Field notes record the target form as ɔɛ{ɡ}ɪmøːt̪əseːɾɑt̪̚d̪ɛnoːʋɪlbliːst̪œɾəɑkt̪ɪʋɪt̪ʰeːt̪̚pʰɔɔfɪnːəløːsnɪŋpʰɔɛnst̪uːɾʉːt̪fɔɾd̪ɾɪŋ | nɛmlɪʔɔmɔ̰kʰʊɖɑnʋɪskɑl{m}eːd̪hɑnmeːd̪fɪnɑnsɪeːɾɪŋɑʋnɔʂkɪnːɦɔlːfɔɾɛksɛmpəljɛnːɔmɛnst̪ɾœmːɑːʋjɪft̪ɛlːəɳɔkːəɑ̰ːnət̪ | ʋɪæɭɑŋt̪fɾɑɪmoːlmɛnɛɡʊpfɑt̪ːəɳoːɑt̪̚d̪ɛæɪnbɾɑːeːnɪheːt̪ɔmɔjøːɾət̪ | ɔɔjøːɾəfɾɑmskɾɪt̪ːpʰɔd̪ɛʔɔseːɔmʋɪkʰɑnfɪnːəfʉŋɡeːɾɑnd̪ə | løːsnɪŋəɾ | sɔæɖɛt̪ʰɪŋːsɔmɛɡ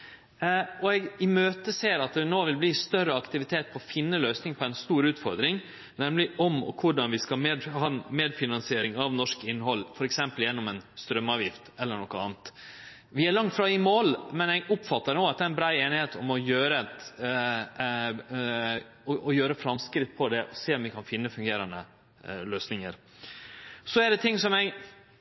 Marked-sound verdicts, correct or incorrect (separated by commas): correct, correct